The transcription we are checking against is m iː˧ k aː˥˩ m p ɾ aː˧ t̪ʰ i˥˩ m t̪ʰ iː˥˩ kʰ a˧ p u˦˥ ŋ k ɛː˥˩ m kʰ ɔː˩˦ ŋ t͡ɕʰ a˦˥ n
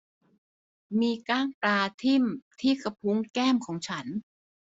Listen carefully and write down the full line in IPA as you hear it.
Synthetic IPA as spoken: m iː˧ k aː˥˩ ŋ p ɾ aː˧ t̪ʰ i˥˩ m t̪ʰ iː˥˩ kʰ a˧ pʰ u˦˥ ŋ k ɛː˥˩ m kʰ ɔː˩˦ ŋ t͡ɕʰ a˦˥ n